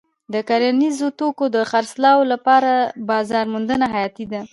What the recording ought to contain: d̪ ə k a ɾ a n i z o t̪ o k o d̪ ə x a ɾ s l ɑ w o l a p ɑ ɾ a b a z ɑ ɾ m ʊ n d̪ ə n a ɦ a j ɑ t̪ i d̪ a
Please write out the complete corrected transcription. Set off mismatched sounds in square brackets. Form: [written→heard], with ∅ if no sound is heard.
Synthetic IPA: d̪ ə k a ɾ a n i z o t̪ o k o d̪ ə x a ɾ s l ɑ w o l a p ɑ ɾ a b [a→ɑ] z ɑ ɾ m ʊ n d̪ ə n a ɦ a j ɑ t̪ i d̪ a

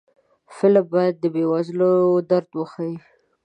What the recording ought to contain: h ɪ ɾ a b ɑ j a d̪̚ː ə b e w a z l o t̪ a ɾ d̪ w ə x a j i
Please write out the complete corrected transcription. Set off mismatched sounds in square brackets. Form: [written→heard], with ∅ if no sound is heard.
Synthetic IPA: [h→f] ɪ [ɾ→l] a b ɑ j a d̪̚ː ə b e w a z l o [t̪→d̪] a ɾ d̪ w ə x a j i

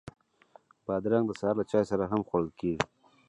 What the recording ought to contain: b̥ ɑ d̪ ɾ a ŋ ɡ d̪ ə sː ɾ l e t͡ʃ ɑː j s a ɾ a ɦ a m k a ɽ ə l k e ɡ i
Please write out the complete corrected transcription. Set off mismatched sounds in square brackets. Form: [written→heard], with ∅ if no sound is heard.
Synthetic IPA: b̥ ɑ d̪ ɾ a ŋ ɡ d̪ ə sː ɾ l [e→a] t͡ʃ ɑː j s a ɾ a ɦ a m [k→x] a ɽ ə l k e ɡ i

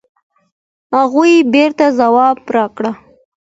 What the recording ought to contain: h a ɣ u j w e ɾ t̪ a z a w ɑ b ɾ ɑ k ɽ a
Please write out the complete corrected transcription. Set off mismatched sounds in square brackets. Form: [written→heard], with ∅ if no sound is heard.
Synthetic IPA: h a ɣ u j [w→b] e ɾ t̪ a z a w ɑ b ɾ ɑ k ɽ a

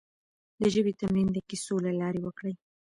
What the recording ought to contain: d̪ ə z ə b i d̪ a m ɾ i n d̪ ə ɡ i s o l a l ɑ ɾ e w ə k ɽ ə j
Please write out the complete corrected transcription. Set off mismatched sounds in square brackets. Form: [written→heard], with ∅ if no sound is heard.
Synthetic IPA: d̪ ə [z→ʒ] ə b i [d̪→t̪] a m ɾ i n d̪ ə [ɡ→k] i s o l a l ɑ ɾ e w ə k ɽ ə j

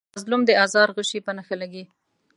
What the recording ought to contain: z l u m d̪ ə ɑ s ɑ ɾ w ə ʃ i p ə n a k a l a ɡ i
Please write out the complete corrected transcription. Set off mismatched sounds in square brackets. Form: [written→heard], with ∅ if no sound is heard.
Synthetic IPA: z l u m d̪ ə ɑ [s→z] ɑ ɾ [w→ɣ] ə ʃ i p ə n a [k→x] a l a ɡ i

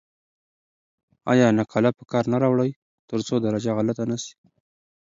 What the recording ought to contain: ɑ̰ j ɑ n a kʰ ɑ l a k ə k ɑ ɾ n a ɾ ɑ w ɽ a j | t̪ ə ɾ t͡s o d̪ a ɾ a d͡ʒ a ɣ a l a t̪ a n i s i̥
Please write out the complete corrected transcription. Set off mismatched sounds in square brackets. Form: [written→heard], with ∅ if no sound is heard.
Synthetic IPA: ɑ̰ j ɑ n a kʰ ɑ l a [k→p] ə k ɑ ɾ n a ɾ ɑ w ɽ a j | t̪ ə ɾ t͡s o d̪ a ɾ a d͡ʒ a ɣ a l a t̪ a n [i→a] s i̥

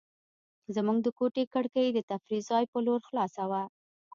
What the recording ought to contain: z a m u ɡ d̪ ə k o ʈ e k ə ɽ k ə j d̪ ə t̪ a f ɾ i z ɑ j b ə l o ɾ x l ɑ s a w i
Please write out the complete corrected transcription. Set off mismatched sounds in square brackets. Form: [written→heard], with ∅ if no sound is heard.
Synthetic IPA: z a m u ɡ d̪ ə k o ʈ e k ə ɽ k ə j d̪ ə t̪ a f ɾ i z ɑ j [b→p] ə l o ɾ x l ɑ s a w [i→a]

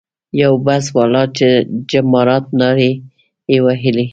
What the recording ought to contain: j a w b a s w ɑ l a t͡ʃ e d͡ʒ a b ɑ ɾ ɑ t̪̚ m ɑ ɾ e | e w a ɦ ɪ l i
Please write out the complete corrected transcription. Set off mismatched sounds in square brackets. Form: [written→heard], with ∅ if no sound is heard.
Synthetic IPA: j a w b a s w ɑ l [a→ɑ] t͡ʃ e d͡ʒ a [b→m] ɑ ɾ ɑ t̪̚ [m→n] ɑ ɾ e | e w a ɦ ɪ l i

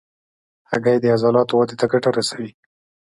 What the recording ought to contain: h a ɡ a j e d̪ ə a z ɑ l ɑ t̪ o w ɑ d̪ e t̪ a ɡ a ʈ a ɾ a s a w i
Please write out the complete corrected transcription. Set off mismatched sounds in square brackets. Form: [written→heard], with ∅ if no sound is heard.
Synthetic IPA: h a ɡ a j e d̪ ə a z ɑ l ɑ t̪ o w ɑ d̪ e t̪ a ɡ a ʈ a ɾ a s a w i

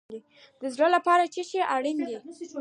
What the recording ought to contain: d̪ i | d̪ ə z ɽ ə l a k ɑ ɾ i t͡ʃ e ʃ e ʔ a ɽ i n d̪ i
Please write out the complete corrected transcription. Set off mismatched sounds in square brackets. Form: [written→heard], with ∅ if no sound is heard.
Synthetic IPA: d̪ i | d̪ ə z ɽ ə l a [k→p] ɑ ɾ [i→a] t͡ʃ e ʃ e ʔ a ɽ i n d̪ i

